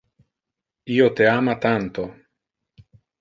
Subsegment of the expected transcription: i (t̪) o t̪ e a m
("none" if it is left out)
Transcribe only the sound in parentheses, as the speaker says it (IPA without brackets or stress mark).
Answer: none